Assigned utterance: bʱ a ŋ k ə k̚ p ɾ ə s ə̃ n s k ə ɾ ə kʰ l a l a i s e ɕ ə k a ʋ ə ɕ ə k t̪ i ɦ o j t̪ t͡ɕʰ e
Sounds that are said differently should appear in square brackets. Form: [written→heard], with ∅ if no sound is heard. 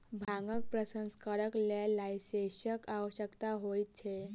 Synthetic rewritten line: bʱ a ŋ [k→ɡ] ə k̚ p ɾ ə s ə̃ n s k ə ɾ ə [kʰ→k] l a l a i s e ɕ ə k a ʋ ə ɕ ə k t̪ [i→a] ɦ o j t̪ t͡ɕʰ e